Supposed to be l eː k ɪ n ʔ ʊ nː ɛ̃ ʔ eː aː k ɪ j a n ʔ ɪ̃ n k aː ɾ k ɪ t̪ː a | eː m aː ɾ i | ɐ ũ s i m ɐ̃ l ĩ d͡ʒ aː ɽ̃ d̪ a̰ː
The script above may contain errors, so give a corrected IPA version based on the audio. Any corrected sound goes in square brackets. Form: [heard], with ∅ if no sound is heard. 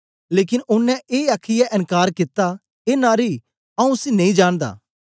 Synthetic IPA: l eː k ɪ n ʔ ʊ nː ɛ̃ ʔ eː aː [kʰ] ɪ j a [∅] ʔ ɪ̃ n k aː ɾ k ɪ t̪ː a | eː [n] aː ɾ i | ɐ ũ s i [n] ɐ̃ [∅] ĩ d͡ʒ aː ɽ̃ d̪ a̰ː